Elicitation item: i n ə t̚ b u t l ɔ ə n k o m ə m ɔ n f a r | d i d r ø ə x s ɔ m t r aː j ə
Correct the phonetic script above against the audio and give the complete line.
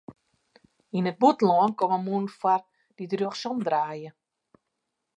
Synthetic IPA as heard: i n ə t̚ b u t l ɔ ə n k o m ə m u n f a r | d i d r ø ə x s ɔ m d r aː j ə